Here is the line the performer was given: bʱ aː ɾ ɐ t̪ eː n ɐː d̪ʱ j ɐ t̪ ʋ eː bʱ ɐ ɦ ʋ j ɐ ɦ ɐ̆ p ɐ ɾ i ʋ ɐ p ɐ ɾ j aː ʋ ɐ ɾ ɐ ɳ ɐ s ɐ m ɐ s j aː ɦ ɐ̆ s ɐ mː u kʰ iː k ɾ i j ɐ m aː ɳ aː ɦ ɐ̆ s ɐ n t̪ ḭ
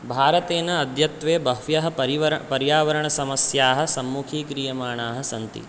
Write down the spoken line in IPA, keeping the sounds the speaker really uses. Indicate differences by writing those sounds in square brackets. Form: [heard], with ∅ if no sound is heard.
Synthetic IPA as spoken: bʱ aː ɾ ɐ t̪ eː n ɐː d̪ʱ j ɐ t̪ ʋ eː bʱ ɐ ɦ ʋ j ɐ ɦ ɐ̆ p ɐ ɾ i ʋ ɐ p ɐ ɾ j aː ʋ ɐ ɾ ɐ ɳ ɐ s ɐ m ɐ s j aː ɦ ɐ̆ s ɐ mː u kʰ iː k ɾ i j ɐ m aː ɳ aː ɦ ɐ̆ s ɐ n t̪ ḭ